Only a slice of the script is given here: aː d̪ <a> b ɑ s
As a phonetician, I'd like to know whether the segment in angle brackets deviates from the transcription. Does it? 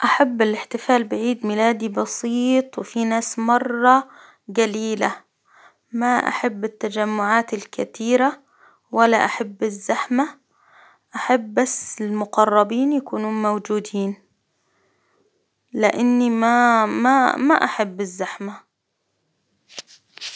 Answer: yes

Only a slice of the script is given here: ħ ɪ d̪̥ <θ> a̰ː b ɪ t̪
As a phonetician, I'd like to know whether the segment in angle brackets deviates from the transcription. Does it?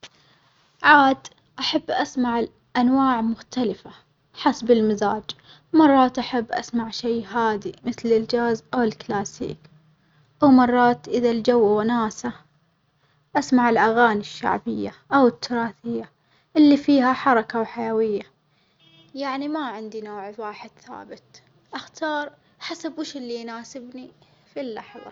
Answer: no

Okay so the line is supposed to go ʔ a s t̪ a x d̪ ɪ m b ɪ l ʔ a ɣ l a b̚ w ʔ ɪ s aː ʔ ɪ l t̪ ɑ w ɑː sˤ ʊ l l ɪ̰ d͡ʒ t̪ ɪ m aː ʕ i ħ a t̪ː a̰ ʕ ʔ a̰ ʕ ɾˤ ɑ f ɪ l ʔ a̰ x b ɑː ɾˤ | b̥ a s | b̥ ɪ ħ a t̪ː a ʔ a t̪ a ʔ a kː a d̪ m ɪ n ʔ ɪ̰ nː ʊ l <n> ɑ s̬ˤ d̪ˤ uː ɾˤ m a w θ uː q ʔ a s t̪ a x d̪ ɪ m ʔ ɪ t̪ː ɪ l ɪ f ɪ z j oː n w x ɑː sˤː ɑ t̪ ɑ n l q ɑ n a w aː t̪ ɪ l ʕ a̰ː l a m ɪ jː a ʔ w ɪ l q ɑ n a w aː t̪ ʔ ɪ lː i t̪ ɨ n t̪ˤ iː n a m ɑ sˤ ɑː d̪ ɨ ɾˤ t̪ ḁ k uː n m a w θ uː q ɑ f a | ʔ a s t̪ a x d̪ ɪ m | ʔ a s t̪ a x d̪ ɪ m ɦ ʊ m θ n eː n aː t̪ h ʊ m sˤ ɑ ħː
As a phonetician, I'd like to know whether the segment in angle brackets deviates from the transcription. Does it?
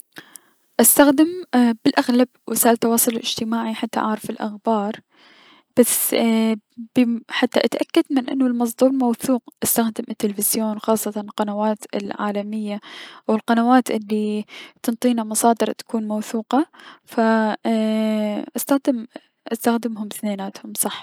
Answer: yes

